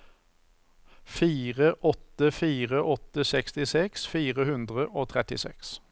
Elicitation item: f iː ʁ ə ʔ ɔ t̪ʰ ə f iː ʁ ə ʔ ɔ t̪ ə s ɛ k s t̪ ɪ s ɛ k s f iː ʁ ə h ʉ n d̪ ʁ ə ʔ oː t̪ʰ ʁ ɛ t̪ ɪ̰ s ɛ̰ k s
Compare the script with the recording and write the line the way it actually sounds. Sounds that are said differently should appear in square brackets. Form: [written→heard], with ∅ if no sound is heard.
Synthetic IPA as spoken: f iː ʁ ə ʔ ɔ [t̪ʰ→t̪] ə f iː ʁ ə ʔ ɔ t̪ ə s ɛ k s t̪ ɪ s ɛ k s f iː ʁ ə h ʉ n d̪ ʁ ə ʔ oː t̪ʰ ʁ ɛ t̪ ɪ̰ s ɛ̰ k s